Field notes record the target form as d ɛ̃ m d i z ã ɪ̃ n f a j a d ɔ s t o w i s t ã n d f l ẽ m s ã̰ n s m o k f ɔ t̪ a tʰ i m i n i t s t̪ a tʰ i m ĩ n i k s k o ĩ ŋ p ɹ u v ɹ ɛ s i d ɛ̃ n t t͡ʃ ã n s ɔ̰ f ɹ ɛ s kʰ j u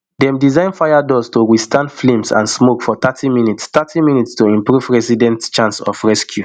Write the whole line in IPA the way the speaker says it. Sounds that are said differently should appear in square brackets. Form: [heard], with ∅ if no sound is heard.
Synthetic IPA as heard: d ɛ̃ m d i z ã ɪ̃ n f a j a d ɔ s t o w i s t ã n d f l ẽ m s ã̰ n s m o k f ɔ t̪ a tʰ i m i n i t s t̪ a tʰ i m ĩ n i [t] s [t] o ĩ [m] p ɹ u v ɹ ɛ s i d ɛ̃ n t t͡ʃ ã n s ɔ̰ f ɹ ɛ s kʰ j u